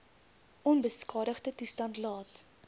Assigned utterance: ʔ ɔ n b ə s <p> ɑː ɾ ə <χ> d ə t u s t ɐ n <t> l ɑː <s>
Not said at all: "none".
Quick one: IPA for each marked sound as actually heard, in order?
k, χ, t, t

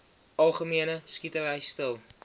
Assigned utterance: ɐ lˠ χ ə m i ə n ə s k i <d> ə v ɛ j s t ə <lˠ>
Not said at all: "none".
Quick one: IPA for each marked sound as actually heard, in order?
t, lˠ

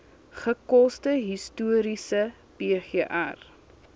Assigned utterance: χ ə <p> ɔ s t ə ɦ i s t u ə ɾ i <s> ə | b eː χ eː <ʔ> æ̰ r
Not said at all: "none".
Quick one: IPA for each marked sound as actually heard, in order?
k, s, ʔ

